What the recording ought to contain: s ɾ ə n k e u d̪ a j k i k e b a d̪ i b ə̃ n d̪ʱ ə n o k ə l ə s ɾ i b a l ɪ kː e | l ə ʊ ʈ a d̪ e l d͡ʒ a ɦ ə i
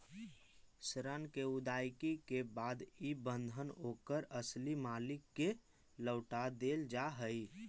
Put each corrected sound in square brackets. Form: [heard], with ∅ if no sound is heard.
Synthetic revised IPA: s ɾ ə n k e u d̪ a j k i k e b a d̪ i b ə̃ n d̪ʱ ə n o k ə [ɾ] ə s [l] i [m] a l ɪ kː e | l ə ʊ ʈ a d̪ e l d͡ʒ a ɦ ə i